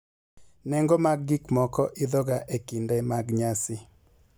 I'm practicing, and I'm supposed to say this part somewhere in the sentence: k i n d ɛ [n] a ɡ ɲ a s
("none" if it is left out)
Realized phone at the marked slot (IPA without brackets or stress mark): m